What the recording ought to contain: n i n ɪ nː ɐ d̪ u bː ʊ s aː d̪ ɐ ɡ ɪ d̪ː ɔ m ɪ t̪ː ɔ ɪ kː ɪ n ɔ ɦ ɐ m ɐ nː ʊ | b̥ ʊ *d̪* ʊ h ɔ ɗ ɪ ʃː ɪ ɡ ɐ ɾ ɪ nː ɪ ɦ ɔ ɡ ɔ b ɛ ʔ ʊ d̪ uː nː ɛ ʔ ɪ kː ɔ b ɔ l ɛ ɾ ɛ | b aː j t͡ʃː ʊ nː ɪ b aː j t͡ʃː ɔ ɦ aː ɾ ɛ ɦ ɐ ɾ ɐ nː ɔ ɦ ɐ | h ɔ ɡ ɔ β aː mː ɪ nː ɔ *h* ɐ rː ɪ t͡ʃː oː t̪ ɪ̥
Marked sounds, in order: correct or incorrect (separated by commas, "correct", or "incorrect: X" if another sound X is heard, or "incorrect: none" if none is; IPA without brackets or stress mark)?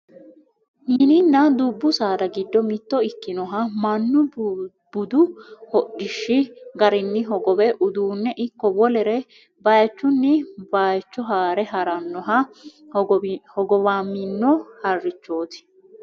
correct, correct